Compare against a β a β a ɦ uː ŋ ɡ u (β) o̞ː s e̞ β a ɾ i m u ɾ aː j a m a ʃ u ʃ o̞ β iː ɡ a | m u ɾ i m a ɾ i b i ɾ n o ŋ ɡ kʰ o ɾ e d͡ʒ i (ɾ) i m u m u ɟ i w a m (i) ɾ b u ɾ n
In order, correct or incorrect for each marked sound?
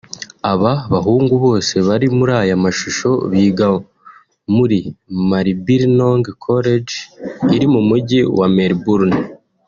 correct, correct, incorrect: e

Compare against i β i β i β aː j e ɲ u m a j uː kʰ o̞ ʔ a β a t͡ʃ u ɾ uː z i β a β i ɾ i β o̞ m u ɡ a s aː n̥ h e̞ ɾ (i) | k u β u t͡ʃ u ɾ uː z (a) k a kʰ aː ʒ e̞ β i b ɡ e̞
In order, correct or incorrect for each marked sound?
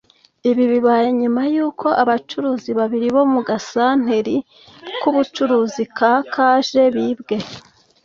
correct, incorrect: i

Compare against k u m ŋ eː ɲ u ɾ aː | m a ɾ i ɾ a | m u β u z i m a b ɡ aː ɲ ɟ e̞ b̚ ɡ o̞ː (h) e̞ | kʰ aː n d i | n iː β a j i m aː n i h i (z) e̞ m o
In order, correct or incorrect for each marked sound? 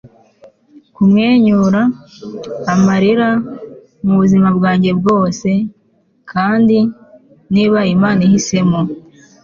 incorrect: s, incorrect: s

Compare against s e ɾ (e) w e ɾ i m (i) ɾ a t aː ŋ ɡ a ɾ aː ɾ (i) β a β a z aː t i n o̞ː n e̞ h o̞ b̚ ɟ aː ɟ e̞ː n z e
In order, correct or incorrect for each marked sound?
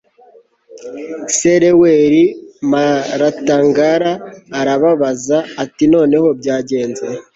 correct, incorrect: a, incorrect: a

